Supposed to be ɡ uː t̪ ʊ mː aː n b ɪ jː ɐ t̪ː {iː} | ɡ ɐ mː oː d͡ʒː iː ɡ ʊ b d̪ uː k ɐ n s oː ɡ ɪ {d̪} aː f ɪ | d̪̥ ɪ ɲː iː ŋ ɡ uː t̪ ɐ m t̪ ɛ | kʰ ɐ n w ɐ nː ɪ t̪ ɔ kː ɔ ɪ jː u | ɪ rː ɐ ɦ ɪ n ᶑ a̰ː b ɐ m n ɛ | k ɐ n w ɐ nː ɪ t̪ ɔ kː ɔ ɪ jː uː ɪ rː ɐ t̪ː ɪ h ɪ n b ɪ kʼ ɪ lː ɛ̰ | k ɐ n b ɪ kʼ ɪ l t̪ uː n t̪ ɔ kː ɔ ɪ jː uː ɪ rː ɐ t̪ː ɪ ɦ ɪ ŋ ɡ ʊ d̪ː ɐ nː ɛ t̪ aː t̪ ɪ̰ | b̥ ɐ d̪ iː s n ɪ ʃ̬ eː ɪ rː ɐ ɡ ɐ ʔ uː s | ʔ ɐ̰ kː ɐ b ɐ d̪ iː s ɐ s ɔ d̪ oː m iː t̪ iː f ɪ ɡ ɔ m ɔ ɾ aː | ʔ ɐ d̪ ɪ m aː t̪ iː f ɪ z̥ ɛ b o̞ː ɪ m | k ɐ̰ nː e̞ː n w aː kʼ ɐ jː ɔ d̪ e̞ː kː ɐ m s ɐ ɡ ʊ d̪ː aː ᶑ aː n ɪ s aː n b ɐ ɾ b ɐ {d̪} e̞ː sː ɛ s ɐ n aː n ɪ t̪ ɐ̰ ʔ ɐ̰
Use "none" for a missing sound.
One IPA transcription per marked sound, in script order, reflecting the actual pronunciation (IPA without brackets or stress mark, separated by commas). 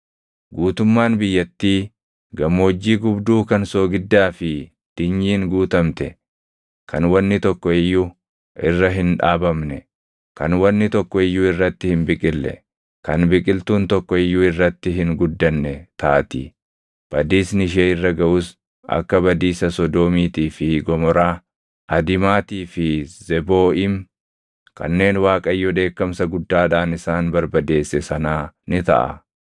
iː, d̪ː, d̪